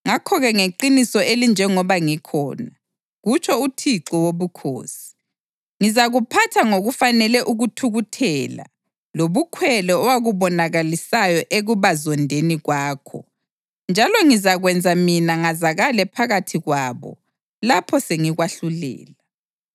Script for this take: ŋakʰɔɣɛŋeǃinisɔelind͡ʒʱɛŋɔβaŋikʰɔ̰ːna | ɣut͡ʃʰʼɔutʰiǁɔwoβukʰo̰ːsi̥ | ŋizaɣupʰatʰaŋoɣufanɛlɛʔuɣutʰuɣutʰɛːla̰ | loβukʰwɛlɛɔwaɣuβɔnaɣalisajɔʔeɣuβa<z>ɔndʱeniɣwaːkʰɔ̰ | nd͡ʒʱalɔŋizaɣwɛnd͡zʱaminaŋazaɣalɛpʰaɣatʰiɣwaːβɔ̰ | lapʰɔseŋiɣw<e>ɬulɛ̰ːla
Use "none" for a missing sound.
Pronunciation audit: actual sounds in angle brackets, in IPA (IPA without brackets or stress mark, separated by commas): z, a